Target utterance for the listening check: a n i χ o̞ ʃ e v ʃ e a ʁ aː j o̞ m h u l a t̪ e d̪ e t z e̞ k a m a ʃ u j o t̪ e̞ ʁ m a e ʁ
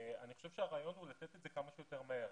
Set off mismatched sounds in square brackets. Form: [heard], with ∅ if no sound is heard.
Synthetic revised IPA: a n i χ o̞ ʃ e v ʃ e a ʁ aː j o̞ [n] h u l a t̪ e [t̪] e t z e̞ k a m a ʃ u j o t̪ e̞ ʁ m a e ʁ